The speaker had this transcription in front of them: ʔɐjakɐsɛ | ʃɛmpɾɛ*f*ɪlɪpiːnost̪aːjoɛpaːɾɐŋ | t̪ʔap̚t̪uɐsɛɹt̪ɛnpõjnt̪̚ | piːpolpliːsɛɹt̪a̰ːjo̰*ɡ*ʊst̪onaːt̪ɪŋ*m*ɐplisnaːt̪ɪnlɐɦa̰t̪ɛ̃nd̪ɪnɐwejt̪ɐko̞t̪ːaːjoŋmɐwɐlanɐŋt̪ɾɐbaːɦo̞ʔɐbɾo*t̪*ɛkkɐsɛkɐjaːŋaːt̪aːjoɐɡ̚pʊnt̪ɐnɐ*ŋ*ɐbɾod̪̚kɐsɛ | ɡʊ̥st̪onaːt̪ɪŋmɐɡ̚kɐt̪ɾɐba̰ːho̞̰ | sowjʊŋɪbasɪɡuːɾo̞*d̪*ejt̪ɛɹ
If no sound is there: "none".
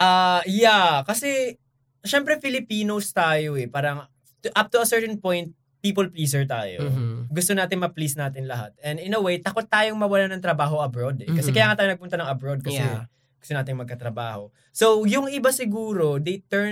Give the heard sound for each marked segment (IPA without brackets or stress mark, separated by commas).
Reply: f, ɡ, m, d̪, ŋ, d̪